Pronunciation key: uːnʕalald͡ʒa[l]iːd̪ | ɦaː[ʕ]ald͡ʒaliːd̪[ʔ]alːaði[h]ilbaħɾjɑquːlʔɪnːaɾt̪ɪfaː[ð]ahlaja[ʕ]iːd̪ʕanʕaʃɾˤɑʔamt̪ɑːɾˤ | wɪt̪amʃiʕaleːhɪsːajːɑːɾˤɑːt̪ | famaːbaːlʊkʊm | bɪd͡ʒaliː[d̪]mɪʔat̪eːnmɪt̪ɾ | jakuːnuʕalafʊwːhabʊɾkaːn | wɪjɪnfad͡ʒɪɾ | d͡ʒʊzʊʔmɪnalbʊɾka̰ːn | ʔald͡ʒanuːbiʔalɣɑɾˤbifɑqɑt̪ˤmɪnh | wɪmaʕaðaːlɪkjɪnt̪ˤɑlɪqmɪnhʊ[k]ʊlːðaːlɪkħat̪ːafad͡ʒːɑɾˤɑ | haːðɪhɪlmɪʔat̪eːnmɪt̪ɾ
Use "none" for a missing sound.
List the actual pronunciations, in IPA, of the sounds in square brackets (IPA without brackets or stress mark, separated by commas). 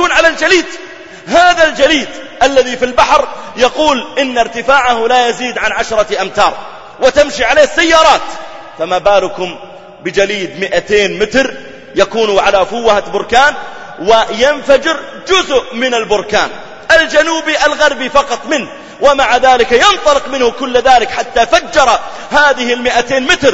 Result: l, ð, ʔ, f, ʕ, z, d̪, k